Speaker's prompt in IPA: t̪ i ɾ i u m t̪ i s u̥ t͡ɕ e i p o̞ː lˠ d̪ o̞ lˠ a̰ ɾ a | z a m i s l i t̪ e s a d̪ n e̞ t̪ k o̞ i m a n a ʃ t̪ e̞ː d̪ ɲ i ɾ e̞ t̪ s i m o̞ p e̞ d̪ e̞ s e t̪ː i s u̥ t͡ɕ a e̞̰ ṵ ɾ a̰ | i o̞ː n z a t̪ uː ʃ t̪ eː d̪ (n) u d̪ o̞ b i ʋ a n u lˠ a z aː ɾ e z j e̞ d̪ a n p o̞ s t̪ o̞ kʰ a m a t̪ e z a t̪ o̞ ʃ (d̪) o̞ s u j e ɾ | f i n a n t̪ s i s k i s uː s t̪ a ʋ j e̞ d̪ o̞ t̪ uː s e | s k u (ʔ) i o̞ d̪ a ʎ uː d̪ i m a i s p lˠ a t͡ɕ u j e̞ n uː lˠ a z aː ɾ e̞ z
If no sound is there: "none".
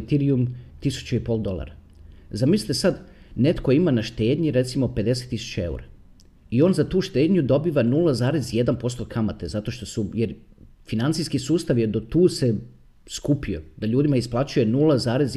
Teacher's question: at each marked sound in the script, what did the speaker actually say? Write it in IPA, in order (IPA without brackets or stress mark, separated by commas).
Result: ɲ, t̪, p